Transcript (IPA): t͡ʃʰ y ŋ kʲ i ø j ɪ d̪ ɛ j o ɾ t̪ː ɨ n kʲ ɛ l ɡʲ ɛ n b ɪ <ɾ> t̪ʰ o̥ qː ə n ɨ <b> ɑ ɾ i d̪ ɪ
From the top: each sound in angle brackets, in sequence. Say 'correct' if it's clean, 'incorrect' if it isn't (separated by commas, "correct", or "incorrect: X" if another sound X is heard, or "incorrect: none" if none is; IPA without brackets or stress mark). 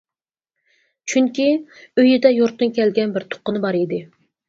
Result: correct, correct